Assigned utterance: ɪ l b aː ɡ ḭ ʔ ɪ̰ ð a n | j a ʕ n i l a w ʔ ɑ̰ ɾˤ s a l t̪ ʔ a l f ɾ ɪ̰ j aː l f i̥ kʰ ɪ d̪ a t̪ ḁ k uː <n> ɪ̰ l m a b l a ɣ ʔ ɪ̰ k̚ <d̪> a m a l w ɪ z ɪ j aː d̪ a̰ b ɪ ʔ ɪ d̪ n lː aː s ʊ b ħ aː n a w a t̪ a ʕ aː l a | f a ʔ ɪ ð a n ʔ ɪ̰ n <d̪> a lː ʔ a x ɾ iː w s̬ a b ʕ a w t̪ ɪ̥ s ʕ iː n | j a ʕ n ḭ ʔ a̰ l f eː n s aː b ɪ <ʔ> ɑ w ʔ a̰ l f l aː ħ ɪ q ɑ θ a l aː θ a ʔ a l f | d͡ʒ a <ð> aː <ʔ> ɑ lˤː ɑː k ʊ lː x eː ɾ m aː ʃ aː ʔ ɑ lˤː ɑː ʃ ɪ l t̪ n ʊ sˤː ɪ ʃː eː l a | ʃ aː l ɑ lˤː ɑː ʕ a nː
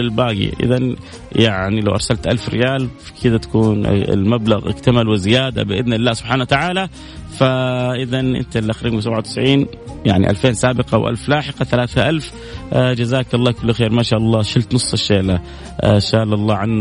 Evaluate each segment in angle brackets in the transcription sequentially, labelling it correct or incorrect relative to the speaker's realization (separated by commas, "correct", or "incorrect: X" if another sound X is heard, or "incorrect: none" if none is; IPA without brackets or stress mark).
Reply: correct, incorrect: t̪, incorrect: t̪, incorrect: q, incorrect: z, incorrect: k